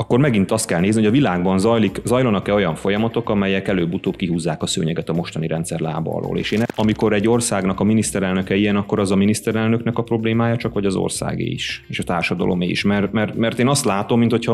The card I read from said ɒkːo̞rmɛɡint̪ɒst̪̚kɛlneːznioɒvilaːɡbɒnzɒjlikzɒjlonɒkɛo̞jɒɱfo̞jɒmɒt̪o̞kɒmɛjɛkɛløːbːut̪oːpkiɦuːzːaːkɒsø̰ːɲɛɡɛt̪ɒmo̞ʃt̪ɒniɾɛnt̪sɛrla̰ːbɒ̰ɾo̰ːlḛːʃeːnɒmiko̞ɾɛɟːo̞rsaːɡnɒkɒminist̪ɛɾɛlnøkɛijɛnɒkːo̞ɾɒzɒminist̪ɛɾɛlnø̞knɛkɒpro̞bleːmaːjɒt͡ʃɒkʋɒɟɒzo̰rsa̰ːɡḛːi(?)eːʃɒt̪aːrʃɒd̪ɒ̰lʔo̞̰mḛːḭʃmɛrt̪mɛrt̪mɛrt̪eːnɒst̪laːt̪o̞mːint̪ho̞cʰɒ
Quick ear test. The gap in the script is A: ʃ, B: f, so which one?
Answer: A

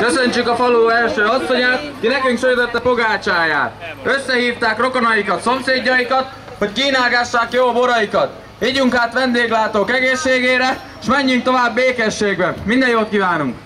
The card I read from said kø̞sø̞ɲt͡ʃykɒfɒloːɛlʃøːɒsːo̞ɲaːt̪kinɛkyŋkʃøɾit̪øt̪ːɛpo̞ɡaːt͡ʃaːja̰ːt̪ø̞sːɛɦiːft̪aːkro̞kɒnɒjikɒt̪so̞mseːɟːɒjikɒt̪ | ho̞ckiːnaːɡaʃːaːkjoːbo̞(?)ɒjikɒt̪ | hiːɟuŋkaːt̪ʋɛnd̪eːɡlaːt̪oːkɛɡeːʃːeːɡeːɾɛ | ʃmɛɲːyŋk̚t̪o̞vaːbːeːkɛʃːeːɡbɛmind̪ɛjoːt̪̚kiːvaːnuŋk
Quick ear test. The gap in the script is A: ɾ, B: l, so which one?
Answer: A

